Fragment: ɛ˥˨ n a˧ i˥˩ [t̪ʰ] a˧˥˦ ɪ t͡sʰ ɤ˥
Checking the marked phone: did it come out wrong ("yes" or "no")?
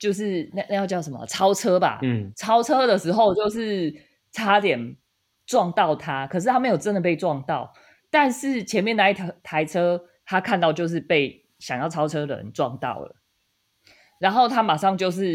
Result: no